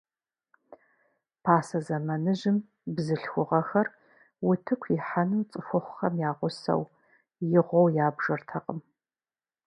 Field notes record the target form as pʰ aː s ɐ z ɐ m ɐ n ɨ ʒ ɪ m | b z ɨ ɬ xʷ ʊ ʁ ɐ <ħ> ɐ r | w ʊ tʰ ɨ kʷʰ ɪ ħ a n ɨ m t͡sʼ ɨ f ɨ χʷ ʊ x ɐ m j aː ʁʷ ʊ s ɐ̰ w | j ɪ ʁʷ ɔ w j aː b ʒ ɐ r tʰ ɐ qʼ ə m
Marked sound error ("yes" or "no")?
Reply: yes